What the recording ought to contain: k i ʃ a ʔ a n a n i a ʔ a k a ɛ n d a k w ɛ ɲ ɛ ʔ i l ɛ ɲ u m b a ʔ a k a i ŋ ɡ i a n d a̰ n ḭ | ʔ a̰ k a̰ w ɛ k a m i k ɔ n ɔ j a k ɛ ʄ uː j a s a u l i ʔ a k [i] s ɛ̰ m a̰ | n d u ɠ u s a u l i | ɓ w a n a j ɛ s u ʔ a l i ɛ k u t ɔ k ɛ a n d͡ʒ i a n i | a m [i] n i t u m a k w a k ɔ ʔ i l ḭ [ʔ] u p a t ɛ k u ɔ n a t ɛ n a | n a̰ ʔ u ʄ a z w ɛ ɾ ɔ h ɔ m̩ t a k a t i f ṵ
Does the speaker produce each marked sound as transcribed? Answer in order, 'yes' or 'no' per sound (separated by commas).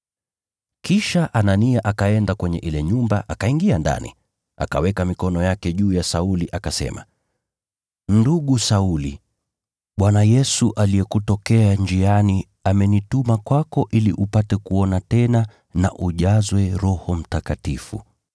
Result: no, no, yes